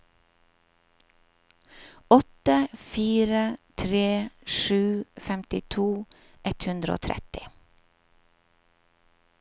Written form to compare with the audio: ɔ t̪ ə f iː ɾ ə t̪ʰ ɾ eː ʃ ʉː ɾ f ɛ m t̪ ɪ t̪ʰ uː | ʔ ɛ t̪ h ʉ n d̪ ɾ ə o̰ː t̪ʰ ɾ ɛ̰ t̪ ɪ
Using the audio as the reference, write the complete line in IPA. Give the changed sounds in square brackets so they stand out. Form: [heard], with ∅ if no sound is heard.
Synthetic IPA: ɔ t̪ ə f iː ɾ ə t̪ʰ ɾ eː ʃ ʉː [∅] f ɛ m t̪ ɪ t̪ʰ uː | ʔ ɛ t̪ h ʉ n d̪ ɾ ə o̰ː t̪ʰ ɾ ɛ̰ t̪ ɪ